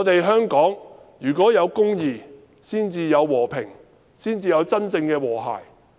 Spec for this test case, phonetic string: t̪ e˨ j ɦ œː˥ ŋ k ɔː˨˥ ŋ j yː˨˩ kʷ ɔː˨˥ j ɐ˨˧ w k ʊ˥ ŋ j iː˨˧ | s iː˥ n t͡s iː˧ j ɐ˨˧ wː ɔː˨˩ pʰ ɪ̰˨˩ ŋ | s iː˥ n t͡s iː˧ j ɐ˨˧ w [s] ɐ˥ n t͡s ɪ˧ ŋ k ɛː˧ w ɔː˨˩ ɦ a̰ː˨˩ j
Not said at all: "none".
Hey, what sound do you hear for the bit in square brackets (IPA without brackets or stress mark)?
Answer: t͡s